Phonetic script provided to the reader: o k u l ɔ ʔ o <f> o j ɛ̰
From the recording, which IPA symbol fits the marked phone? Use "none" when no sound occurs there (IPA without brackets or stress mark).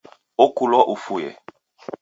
f